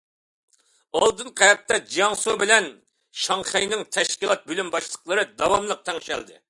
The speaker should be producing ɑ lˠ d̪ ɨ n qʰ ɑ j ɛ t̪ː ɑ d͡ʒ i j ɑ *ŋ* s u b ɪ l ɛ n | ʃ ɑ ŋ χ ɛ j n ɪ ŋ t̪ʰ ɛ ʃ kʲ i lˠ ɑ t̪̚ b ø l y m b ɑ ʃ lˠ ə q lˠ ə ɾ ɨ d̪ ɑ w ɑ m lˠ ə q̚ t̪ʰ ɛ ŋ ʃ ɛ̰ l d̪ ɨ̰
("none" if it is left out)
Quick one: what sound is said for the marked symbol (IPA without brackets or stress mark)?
ŋ